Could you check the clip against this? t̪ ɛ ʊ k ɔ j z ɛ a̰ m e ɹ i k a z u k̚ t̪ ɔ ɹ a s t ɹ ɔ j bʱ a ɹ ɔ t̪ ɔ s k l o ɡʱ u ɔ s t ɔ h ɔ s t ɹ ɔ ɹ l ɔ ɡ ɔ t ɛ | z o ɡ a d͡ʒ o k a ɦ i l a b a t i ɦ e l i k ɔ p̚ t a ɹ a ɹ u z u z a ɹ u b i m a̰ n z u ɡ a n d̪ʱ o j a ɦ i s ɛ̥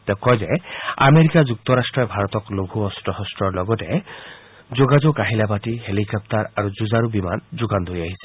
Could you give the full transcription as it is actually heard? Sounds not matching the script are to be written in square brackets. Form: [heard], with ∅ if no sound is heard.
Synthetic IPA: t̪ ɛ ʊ k ɔ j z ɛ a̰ m e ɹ i k a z u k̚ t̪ ɔ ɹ a s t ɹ ɔ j bʱ a ɹ ɔ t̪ ɔ [∅] k l o ɡʱ u ɔ s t ɔ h ɔ s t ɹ ɔ ɹ l ɔ ɡ ɔ t ɛ | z o ɡ a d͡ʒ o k a ɦ i l a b a t i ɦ e l i k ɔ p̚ t a ɹ a ɹ u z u z a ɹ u b i m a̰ n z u ɡ a n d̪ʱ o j a ɦ i s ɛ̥